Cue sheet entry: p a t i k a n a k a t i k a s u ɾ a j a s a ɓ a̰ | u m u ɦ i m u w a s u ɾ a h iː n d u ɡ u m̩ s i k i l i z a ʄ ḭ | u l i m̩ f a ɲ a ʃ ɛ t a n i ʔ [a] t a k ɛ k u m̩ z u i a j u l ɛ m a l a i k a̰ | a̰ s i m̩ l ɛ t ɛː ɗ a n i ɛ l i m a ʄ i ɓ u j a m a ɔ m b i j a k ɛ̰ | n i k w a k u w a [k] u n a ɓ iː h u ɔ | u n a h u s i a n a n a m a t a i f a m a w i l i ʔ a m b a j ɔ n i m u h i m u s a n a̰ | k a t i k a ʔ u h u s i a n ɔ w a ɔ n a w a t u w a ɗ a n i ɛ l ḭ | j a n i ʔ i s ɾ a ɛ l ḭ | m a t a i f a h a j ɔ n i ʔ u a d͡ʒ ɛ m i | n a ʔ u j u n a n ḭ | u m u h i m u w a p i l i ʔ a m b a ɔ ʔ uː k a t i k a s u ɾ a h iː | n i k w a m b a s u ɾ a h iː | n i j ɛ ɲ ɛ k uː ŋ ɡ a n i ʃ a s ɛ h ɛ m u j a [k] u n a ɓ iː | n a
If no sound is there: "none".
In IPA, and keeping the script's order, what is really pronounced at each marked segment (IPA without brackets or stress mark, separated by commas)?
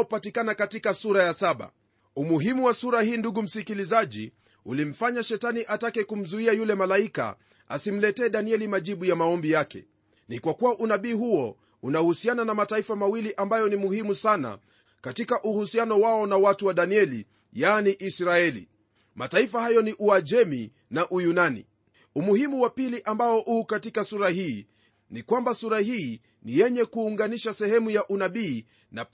a, ʔ, ʔ